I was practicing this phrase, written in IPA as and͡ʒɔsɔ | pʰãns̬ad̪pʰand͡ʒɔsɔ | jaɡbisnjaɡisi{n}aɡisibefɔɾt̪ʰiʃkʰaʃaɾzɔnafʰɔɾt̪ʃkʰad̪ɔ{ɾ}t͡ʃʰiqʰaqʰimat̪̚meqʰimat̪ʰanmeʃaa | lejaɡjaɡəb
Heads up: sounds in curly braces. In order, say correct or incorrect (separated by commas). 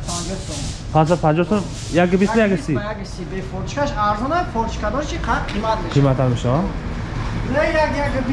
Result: incorrect, correct